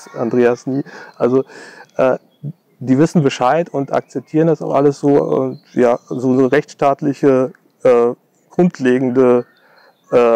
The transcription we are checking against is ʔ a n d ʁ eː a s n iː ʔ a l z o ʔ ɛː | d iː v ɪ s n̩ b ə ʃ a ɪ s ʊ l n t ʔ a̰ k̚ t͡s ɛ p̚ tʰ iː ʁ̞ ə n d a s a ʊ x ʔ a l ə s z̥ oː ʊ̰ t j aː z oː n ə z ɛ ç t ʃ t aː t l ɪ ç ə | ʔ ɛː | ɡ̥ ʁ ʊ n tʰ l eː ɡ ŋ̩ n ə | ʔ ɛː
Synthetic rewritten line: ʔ a n d ʁ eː a s n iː ʔ a l z o ʔ ɛː | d iː v ɪ s n̩ b ə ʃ a ɪ t ʊ n t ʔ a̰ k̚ t͡s ɛ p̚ tʰ iː ʁ̞ ə n d a s a ʊ x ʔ a l ə s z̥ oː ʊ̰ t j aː z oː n ə ʁ ɛ ç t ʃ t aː t l ɪ ç ə | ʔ ɛː | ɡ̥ ʁ ʊ n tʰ l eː ɡ ŋ̩ d ə | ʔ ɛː

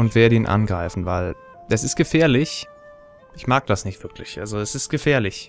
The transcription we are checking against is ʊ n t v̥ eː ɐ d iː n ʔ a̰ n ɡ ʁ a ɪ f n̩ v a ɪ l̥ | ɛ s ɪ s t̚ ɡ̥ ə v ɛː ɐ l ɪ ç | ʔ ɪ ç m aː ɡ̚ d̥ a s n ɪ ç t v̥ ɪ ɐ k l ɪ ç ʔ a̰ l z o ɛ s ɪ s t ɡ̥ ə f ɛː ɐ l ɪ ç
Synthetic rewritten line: ʊ n t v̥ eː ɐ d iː n ʔ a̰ n ɡ ʁ a ɪ f n̩ v a ɪ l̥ | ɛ s ɪ s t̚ ɡ̥ ə f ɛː ɐ l ɪ ç | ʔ ɪ ç m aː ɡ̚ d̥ a s n ɪ ç t v̥ ɪ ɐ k l ɪ ç ʔ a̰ l z o ɛ s ɪ s t ɡ̥ ə f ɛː ɐ l ɪ ç

